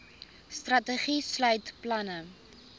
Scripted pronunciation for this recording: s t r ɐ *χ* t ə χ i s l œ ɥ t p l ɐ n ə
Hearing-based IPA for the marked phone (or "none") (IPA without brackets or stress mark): none